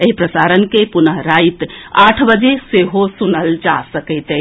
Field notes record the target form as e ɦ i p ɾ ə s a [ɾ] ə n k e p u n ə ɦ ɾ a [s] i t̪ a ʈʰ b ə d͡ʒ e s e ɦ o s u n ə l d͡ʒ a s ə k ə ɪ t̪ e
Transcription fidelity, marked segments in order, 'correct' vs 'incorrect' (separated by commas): correct, incorrect